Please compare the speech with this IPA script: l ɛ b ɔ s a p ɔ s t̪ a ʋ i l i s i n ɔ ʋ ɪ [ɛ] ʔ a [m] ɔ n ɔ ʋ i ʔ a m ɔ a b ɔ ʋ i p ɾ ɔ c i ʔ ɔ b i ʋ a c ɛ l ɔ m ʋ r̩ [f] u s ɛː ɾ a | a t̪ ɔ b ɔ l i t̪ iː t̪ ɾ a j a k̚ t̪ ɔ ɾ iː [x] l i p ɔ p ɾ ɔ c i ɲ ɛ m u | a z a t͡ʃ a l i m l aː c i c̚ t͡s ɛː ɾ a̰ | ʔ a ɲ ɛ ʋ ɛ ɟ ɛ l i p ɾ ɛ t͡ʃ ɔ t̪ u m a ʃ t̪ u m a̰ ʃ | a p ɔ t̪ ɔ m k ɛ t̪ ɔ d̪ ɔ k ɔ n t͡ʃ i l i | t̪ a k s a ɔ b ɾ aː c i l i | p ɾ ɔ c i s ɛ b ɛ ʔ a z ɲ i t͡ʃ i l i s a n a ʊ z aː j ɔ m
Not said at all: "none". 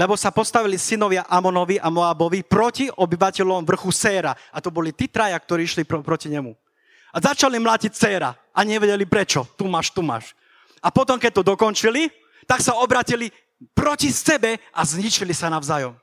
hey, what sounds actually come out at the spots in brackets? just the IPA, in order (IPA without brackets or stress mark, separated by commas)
a, m, x, ʃ